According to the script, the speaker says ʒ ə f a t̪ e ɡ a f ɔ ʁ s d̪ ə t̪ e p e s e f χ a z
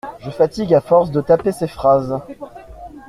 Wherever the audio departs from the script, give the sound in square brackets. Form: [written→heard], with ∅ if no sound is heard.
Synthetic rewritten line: ʒ ə f a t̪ [e→i] ɡ a f ɔ ʁ s d̪ ə t̪ [e→a] p e s e f χ a z